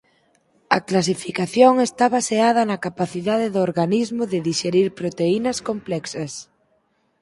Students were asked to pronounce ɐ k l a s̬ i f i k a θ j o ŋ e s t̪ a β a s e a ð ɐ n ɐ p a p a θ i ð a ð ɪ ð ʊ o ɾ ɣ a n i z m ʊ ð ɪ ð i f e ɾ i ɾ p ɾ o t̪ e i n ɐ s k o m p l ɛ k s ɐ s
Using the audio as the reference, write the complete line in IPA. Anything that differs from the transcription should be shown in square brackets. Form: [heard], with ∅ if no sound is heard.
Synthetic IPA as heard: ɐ k l a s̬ i f i k a θ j o ŋ e s t̪ a β a s e a ð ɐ n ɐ [k] a p a θ i ð a ð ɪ ð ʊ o ɾ ɣ a n i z m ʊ ð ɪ ð i [ʃ] e ɾ i ɾ p ɾ o t̪ e i n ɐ s k o m p l ɛ k s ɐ s